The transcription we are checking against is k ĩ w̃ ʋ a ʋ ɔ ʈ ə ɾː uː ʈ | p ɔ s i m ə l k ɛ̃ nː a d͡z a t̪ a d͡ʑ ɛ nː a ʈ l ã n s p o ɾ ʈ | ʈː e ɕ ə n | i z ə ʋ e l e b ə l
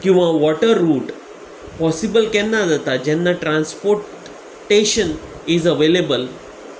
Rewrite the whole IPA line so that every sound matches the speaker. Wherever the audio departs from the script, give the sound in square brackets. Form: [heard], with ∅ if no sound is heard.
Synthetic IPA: k ĩ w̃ ʋ a ʋ ɔ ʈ ə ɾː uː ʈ | p ɔ s i [b] ə l k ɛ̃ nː a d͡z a t̪ a d͡ʑ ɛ nː a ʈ [ɾ] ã n s p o ɾ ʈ | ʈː e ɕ ə n | i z ə ʋ e l e b ə l